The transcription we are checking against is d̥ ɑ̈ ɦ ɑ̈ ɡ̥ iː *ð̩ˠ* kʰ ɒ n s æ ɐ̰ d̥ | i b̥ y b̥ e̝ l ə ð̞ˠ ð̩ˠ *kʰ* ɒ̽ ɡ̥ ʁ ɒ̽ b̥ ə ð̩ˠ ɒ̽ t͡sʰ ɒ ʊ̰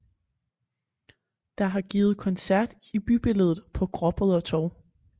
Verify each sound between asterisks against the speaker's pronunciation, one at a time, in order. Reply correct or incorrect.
correct, incorrect: pʰ

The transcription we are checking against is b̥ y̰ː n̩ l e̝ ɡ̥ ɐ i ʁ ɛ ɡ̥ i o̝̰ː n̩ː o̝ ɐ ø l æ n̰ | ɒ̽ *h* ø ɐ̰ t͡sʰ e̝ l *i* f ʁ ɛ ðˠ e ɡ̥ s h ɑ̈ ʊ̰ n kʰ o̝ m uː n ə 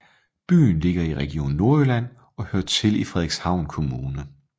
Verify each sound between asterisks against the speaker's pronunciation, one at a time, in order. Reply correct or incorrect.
correct, correct

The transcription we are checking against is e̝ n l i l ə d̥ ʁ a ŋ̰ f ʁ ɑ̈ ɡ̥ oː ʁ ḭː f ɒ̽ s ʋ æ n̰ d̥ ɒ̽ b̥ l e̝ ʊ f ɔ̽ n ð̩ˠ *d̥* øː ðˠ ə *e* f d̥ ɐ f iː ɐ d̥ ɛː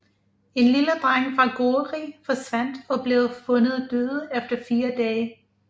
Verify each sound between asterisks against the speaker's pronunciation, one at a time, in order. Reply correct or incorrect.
correct, correct

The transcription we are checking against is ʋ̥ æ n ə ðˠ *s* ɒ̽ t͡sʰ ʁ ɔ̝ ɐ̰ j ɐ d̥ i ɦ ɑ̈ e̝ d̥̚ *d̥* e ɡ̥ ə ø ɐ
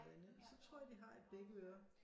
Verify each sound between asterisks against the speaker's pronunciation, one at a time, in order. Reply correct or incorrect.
correct, incorrect: b̥

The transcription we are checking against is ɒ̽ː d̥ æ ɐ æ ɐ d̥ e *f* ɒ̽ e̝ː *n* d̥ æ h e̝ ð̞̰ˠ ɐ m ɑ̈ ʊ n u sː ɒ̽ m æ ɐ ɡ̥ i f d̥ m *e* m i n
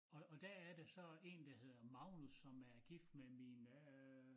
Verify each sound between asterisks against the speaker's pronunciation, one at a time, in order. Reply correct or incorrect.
incorrect: s, correct, correct

